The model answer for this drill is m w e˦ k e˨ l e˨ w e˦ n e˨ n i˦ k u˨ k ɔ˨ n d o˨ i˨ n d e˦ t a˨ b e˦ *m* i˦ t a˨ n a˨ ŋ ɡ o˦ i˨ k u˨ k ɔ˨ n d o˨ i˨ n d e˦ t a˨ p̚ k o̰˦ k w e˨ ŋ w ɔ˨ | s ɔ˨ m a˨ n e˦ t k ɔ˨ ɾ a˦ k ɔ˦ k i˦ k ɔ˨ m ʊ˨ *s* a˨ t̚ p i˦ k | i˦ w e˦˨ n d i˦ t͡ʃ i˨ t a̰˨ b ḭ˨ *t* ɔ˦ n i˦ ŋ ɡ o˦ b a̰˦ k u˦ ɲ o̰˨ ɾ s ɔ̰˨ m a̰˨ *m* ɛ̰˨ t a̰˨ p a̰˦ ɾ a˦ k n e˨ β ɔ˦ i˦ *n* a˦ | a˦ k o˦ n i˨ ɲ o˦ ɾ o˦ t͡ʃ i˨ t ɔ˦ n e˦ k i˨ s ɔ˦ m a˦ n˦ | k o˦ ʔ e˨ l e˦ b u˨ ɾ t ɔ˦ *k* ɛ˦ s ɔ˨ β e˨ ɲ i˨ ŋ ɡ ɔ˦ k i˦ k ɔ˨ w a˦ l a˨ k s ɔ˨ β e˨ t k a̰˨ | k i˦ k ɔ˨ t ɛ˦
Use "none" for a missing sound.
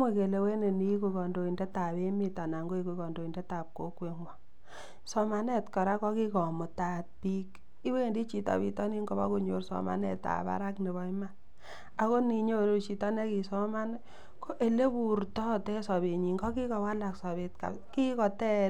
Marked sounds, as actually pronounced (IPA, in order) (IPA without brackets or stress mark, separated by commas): m, t, t, n, m, t